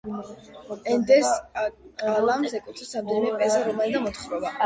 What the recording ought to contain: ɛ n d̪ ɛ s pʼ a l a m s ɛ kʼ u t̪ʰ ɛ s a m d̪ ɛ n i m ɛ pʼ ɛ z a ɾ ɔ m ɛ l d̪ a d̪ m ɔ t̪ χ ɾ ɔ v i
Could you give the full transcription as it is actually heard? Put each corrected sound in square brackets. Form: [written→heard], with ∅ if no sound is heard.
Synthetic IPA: ɛ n d̪ ɛ s [pʼ→kʼ] a l a m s ɛ kʼ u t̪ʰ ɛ s a m d̪ ɛ n i m ɛ pʼ ɛ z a ɾ ɔ m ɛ l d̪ a [d̪→∅] m ɔ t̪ χ ɾ ɔ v [i→a]